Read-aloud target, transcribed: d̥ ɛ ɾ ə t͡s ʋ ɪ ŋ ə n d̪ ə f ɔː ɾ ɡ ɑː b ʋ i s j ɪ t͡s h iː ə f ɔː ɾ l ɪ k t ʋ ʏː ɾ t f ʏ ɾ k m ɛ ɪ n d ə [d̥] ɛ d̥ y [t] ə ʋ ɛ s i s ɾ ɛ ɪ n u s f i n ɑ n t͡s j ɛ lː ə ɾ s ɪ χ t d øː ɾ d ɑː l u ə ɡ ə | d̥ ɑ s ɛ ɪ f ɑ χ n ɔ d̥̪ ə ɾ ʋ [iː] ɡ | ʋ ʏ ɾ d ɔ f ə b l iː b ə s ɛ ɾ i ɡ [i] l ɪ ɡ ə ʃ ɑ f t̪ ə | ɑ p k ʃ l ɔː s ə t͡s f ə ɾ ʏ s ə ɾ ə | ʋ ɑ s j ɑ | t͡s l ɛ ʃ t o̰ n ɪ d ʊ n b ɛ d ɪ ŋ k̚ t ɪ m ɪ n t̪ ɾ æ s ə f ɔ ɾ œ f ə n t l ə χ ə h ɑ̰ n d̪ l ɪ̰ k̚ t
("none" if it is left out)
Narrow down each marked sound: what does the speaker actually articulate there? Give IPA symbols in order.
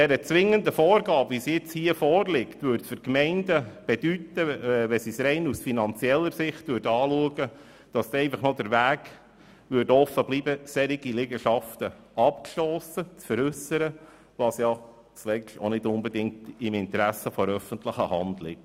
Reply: b̥, t, æː, i

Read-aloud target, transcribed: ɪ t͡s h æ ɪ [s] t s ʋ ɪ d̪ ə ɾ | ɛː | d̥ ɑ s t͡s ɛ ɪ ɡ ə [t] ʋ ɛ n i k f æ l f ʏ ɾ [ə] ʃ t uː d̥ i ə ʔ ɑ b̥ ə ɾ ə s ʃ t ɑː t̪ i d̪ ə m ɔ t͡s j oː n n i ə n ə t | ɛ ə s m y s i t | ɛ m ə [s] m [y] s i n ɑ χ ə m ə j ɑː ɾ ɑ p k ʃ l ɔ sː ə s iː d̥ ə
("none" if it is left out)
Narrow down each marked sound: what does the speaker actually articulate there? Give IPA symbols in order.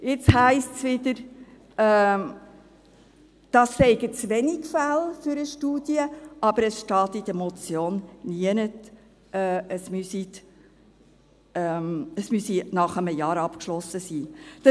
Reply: s, t͡s, ə, s, y

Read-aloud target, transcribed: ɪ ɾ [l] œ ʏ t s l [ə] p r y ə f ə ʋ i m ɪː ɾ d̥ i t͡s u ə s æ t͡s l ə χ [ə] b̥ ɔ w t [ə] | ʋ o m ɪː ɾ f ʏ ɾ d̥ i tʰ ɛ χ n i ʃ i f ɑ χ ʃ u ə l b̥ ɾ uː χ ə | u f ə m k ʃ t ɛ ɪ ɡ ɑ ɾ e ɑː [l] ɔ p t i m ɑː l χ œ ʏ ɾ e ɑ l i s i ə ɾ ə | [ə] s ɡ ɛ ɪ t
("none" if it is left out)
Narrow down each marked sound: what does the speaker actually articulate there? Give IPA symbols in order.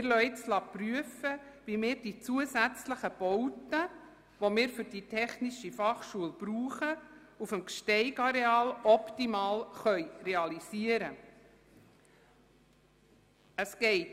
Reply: l, ɑ, ə, ə, l, ə

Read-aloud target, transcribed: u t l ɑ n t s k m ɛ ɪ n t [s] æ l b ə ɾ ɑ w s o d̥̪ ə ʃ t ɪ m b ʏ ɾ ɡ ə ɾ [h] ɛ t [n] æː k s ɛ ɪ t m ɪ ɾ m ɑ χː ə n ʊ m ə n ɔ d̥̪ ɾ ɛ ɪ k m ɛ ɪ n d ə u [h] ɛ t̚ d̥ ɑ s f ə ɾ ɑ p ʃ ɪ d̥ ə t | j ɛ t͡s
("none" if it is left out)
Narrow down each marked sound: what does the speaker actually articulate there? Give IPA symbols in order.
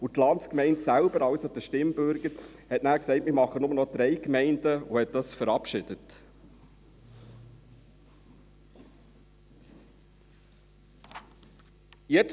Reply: s, h, n, h

